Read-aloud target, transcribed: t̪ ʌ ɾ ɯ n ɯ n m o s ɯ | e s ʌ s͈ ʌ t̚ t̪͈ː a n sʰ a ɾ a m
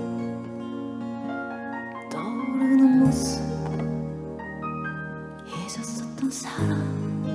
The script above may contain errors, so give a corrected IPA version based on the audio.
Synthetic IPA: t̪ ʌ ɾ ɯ n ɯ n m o s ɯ | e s ʌ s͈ ʌ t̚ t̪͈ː ʌ n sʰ a ɾ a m